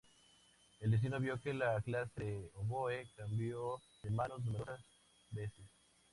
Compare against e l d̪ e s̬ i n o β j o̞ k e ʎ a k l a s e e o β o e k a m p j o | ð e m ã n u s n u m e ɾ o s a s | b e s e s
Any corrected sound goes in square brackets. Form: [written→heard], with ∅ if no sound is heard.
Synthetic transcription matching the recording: e l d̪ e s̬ i n o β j o̞ k e [ʎ→l] a k l a s e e o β o e k a m [p→b] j o | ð e m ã n [u→o] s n u m e ɾ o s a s | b e s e s